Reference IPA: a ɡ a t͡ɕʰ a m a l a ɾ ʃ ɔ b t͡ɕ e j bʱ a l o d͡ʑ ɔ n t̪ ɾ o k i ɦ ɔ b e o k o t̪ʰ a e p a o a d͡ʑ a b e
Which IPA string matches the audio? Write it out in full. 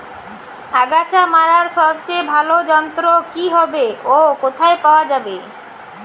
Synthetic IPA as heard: a ɡ a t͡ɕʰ a m a ɾ a ɾ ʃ ɔ b t͡ɕ e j bʱ a l o d͡ʑ ɔ n t̪ ɾ o k i ɦ ɔ b e o k o t̪ʰ a e p a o a d͡ʑ a b e